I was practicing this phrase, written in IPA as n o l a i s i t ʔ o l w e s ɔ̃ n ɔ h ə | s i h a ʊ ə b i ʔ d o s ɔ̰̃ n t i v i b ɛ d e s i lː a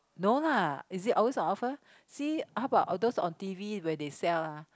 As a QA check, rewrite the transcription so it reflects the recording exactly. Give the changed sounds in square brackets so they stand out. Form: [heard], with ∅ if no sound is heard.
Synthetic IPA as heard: n o l a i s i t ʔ [ɔ] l w e s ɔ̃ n ɔ [f] ə | s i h a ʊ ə b [a] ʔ d o s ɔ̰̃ n t i v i [w] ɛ d e s [ɛ] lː a